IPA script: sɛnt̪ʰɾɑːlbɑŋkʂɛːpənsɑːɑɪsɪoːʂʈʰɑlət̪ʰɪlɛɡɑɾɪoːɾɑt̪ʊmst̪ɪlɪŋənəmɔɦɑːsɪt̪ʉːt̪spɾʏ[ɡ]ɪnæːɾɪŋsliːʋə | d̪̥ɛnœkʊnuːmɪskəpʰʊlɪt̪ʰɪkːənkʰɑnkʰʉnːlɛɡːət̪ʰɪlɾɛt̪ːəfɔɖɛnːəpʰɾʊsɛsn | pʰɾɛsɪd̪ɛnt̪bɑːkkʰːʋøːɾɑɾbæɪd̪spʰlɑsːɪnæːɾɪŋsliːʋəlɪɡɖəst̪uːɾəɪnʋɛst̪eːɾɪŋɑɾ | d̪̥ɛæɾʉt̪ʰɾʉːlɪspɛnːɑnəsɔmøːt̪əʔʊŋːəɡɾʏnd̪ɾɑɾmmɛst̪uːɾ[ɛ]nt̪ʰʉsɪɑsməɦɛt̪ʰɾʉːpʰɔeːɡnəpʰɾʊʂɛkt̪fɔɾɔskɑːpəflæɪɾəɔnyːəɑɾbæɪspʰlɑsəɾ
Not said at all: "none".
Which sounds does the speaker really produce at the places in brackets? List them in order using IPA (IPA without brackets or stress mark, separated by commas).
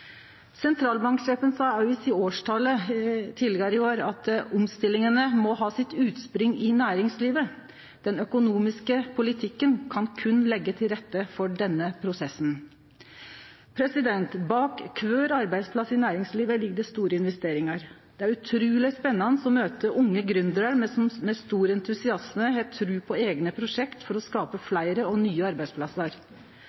ŋ, ɛ